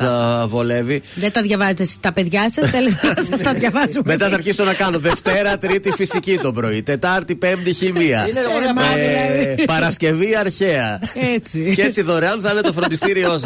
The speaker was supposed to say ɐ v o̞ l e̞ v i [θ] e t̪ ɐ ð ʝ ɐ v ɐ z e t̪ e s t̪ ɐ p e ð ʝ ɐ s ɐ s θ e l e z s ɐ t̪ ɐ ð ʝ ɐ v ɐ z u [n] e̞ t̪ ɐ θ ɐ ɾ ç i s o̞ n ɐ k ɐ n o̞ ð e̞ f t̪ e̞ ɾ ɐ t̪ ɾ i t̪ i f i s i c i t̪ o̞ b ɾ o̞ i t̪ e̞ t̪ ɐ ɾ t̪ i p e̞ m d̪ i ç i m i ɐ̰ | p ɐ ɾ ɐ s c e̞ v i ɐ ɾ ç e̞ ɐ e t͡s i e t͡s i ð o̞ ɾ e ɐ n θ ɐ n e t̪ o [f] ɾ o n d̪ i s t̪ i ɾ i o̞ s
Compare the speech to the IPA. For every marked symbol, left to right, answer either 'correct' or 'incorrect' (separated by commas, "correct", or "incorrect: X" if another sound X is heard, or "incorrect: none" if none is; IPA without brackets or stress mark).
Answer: incorrect: ð, incorrect: m, correct